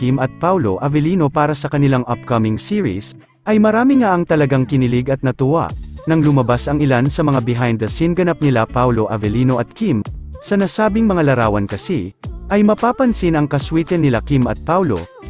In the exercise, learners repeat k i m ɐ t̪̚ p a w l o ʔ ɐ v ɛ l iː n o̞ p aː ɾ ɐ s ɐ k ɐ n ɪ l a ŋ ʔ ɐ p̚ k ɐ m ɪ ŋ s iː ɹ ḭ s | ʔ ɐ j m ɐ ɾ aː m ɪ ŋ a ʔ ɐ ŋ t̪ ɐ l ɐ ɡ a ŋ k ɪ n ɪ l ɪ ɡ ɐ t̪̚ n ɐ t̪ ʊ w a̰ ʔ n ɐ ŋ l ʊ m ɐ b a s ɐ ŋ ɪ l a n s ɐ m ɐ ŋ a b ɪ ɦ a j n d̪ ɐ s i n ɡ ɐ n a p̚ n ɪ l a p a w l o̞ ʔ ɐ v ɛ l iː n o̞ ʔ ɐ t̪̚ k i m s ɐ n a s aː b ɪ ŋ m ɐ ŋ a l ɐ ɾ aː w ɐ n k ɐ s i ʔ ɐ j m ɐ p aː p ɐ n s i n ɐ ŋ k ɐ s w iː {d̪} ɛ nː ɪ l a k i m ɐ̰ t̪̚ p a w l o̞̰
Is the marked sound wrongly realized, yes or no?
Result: yes